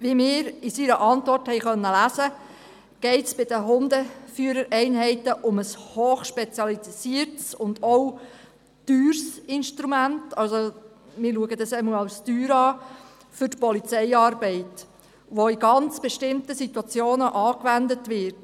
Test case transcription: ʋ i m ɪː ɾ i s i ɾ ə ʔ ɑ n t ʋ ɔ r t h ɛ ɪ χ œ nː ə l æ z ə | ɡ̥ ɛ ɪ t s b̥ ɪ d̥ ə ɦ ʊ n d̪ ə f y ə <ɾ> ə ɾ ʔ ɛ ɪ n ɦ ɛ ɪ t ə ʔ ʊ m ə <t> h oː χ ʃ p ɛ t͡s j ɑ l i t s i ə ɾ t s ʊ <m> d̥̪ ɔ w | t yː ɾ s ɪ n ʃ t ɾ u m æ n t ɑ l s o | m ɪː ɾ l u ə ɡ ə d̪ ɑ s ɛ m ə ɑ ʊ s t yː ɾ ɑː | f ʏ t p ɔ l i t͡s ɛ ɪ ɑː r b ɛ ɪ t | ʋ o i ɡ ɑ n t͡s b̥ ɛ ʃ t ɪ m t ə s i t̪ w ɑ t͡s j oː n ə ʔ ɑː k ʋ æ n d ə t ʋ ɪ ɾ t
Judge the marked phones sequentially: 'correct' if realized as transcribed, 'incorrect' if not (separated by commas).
correct, incorrect, incorrect